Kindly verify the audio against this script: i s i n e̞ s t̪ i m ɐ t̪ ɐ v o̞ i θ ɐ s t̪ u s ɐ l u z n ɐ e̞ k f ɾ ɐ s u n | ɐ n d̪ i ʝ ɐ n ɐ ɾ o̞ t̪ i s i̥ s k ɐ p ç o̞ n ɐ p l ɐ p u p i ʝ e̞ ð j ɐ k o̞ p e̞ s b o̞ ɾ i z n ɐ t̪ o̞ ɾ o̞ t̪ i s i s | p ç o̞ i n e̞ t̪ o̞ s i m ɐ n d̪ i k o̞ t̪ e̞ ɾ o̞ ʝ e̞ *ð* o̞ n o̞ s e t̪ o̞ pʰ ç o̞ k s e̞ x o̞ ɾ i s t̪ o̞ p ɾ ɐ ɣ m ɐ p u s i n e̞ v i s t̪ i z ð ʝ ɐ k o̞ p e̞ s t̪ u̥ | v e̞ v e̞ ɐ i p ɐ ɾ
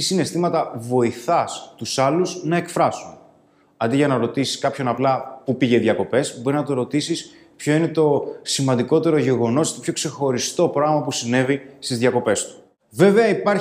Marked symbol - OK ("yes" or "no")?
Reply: no